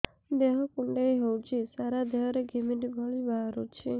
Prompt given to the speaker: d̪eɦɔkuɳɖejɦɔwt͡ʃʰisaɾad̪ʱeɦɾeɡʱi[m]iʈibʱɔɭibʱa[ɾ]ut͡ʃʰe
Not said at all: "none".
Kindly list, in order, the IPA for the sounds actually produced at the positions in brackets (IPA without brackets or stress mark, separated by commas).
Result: m, ɾ